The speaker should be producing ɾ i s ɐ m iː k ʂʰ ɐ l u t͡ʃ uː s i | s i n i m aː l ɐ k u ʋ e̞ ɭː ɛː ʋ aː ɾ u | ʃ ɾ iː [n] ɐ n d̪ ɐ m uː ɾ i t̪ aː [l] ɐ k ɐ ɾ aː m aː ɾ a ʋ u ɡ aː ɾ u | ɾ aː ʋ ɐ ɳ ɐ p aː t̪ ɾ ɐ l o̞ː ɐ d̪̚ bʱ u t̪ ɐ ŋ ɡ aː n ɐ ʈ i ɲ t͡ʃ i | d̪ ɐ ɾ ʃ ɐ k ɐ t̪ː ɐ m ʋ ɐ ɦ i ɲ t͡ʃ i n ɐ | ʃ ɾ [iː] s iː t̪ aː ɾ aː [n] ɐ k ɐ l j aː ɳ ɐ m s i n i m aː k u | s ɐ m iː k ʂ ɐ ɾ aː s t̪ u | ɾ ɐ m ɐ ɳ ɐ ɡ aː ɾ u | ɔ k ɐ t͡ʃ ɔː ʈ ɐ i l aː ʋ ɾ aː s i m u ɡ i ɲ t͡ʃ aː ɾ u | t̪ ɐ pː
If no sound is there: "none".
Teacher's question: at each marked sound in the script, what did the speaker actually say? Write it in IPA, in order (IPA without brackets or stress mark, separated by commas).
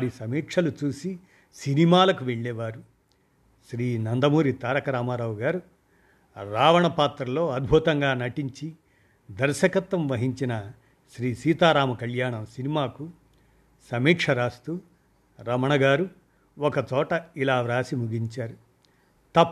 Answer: n, ɾ, iː, m